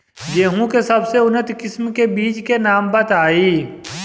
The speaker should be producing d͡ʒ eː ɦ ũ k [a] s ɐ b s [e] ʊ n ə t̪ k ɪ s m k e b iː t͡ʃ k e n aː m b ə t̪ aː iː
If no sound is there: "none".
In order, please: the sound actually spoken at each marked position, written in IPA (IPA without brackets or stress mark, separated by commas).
e, e